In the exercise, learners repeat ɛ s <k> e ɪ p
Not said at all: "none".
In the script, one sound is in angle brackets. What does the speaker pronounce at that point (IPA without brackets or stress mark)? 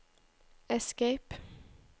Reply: k